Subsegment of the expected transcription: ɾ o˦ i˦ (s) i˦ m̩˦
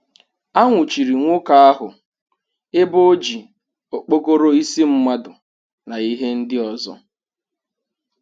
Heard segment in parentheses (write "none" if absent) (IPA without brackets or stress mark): s